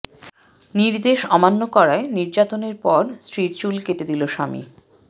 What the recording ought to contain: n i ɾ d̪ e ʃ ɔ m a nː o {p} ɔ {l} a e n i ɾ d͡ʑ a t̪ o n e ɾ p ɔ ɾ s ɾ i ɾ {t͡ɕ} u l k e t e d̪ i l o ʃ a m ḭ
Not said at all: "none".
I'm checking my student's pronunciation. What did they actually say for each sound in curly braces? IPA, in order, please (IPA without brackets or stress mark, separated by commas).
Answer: k, ɾ, t͡ɕ